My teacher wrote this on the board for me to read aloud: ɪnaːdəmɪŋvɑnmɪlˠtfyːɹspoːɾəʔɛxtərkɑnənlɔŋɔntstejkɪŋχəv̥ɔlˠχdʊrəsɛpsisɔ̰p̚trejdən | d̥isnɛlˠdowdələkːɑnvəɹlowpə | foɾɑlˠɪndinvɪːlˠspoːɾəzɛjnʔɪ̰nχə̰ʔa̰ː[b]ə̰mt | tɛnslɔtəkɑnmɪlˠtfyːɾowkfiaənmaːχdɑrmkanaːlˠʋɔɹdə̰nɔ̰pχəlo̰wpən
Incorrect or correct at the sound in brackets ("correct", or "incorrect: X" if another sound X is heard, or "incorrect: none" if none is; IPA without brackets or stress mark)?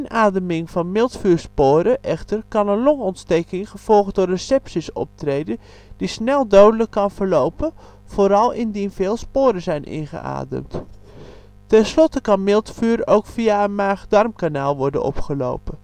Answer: incorrect: d